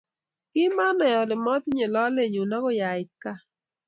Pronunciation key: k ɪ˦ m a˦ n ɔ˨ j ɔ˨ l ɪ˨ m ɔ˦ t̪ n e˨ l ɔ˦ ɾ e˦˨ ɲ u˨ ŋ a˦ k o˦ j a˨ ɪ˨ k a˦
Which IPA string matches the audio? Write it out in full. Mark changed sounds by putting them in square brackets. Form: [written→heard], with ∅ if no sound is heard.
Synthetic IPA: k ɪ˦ m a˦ n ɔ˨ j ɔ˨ l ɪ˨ m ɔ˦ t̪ [n→ɲ] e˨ l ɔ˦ [ɾ→l] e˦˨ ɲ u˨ [ŋ→n] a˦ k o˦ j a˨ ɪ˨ k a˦